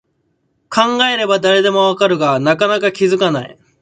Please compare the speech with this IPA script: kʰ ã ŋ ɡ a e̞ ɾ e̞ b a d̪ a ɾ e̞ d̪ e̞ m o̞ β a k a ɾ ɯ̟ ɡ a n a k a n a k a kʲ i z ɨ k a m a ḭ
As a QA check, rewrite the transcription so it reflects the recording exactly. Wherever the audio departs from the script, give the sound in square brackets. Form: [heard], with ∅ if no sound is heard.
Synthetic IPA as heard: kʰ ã ŋ ɡ a e̞ ɾ e̞ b a d̪ a ɾ e̞ d̪ e̞ m o̞ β a k a ɾ ɯ̟ ɡ a n a k a n a k a kʲ i z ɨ k a [n] a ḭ